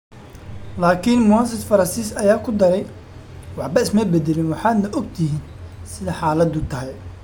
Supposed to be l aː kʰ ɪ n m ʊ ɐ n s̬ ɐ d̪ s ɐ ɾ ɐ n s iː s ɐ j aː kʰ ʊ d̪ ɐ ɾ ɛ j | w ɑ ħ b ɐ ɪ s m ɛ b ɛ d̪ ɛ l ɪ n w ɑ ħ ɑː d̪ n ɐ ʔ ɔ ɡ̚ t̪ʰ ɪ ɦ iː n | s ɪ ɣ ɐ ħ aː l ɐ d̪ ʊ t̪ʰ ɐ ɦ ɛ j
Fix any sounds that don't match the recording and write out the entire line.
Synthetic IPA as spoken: l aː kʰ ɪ n m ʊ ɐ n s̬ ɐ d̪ f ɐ ɾ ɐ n s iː s ɐ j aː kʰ ʊ d̪ ɐ ɾ ɛ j | w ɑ ħ b ɐ ɪ s m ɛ b ɛ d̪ ɛ l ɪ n w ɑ ħ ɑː d̪ n ɐ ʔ ɔ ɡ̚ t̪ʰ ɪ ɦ iː n | s ɪ ð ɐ ħ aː l ɐ d̪ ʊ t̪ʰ ɐ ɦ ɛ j

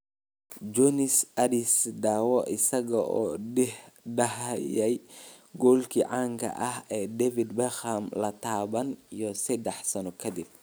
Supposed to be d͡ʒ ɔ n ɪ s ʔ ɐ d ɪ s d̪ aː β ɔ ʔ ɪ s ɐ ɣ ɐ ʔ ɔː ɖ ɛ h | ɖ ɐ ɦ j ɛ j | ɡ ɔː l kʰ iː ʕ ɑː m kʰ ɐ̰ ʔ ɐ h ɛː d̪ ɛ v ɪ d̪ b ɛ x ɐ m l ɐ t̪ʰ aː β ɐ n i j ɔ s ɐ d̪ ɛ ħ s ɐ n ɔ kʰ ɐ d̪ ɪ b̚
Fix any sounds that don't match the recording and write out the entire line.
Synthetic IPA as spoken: d͡ʒ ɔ n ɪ s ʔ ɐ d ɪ s d̪ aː w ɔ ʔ ɪ s ɐ ɣ ɐ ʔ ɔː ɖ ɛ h | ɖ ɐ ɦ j ɛ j | ɡ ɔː l kʰ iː ʕ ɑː ŋ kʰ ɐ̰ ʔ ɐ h ɛː d̪ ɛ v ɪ d̪ b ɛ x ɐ m l ɐ t̪ʰ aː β ɐ n i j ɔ s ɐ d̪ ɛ ħ s ɐ n ɔ kʰ ɐ d̪ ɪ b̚

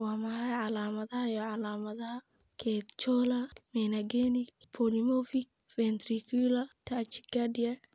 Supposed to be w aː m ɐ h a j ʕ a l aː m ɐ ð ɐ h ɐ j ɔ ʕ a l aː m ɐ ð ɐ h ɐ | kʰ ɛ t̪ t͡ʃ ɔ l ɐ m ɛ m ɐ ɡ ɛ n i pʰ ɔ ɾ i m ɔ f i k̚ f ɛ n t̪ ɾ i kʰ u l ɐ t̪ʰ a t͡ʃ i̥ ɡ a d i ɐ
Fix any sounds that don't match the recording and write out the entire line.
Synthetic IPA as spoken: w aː m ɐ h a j ʕ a l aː m ɐ ð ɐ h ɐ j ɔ ʕ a l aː m ɐ ð ɐ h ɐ | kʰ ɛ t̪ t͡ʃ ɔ l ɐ m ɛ n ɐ ɡ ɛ n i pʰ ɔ l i m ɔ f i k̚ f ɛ n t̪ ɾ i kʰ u l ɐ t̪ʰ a t͡ʃ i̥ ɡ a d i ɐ

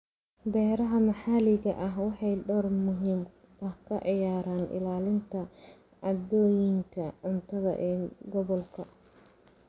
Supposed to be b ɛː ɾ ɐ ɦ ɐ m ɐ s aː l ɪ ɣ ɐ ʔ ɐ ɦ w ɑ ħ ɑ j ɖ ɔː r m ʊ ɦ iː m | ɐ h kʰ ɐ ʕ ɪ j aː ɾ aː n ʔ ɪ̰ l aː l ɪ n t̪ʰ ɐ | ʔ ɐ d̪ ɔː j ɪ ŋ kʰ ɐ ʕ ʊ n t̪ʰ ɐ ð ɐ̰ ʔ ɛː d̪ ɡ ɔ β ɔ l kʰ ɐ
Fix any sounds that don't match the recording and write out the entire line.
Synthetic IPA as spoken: b ɛː ɾ ɐ ɦ ɐ m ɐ ħ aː l ɪ ɣ ɐ ʔ ɐ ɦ w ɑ ħ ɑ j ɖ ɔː r m ʊ ɦ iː m | ɐ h kʰ ɐ ʕ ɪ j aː ɾ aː n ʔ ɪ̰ l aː l ɪ n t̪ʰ ɐ | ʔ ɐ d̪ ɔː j ɪ ŋ kʰ ɐ ʕ ʊ n t̪ʰ ɐ ð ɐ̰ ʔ ɛː ɡ ɔ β ɔ l kʰ ɐ

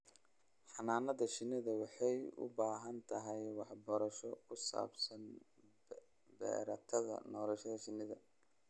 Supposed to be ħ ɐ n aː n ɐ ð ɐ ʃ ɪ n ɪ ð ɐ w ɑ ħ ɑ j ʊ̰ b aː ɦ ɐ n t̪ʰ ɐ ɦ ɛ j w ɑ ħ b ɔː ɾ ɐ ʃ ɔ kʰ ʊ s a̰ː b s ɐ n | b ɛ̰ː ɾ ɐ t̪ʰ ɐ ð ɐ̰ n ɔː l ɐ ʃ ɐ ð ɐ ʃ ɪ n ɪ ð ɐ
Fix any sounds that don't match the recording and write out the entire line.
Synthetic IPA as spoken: ħ ɑ n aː n ɐ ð ɐ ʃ ɪ n ɪ ð ɐ w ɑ ħ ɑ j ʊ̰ b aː ɦ ɐ n t̪ʰ ɐ ɦ ɛ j w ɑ ħ b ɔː ɾ ɐ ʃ ɔ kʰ ʊ s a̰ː b s ɐ n | b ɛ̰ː ɾ ɐ t̪ʰ ɐ ð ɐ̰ n ɔː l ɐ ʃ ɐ ð ɐ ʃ ɪ n ɪ ð ɐ

